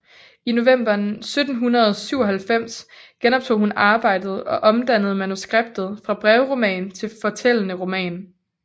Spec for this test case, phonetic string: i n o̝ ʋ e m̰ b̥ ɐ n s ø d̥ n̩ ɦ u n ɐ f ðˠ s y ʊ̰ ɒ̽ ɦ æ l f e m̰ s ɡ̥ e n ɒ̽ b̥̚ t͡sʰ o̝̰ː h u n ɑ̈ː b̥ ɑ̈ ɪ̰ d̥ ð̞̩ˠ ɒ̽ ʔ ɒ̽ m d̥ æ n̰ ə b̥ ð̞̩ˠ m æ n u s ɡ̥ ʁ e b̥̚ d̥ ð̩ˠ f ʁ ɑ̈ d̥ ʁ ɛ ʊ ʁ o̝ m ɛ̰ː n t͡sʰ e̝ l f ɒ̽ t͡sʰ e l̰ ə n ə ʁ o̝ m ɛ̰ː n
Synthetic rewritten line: i n o̝ ʋ e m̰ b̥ ɐ n s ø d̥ n̩ ɦ u n ɐ ðˠ s y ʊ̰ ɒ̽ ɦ æ l f e m̰ s ɡ̥ e n ɒ̽ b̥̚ t͡sʰ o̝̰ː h u n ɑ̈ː b̥ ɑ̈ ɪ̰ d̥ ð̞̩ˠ ɒ̽ ʔ ɒ̽ m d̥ æ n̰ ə ð̞̩ˠ m æ n u s ɡ̥ ʁ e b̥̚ d̥ ð̩ˠ f ʁ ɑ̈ b̥ ʁ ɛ ʊ ʁ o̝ m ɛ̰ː n t͡sʰ e̝ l f ɒ̽ t͡sʰ e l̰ ə n ə ʁ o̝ m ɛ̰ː n